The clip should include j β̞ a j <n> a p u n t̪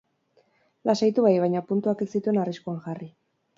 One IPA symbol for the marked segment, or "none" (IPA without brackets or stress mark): ɲ